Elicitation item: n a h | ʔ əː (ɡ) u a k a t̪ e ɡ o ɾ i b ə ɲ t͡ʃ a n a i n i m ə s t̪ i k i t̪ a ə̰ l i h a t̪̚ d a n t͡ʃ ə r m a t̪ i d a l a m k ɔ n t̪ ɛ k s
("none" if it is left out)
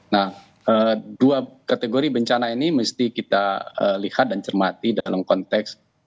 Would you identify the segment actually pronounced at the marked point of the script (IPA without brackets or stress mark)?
d